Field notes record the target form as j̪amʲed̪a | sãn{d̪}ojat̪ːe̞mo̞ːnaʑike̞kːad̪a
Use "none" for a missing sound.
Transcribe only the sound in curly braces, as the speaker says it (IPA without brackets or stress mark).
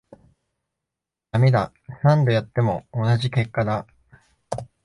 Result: d̪